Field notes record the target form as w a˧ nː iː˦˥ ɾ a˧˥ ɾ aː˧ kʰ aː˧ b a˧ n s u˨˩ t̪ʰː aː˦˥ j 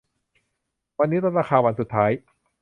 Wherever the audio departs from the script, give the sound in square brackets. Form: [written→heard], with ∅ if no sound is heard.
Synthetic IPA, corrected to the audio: w a˧ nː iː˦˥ ɾ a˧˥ ɾ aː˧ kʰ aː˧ [b→w] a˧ n s u˨˩ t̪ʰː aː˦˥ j